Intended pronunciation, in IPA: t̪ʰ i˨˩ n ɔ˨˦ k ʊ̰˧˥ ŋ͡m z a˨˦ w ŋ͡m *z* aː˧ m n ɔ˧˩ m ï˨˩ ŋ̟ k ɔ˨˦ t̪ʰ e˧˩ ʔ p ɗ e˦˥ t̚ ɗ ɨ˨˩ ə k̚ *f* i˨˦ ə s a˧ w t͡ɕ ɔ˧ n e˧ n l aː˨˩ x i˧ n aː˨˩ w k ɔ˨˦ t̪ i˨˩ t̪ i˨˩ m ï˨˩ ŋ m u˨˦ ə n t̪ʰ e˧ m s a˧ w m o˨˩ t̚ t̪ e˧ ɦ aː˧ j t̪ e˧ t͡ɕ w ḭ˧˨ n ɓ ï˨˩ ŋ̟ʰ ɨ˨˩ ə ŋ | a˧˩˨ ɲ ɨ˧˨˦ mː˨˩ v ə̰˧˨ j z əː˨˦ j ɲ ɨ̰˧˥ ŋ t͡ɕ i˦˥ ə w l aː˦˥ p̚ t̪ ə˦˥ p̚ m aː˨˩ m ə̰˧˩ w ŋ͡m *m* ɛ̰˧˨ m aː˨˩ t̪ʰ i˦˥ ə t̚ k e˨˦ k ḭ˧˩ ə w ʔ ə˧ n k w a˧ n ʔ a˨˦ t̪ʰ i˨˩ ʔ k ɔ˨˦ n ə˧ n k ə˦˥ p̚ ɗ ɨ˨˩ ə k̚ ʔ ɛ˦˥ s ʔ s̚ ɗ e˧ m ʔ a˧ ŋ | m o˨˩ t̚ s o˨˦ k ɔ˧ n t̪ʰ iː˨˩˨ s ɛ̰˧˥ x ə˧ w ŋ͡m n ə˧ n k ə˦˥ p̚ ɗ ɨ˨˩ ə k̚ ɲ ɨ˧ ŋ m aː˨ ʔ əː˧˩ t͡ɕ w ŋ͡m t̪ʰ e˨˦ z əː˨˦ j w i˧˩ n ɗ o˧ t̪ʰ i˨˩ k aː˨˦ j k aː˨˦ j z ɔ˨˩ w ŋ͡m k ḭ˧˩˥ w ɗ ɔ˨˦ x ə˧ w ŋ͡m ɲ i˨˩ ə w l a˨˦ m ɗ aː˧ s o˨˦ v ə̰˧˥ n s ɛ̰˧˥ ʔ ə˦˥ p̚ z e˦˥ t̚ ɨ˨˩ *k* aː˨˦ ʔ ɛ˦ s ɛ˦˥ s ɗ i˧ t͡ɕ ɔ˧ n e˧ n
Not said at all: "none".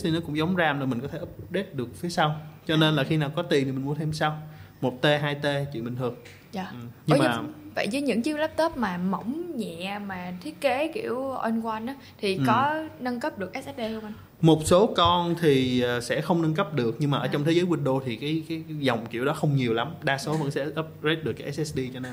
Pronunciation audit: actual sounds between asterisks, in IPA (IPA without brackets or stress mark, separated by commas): z, f, ɲ, k